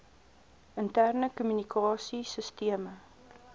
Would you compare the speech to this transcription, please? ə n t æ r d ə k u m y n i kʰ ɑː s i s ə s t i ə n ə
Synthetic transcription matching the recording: ə n t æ r n ə k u m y n i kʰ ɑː s i s ə s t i ə m ə